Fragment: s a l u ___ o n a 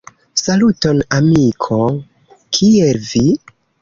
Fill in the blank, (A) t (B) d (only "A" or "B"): A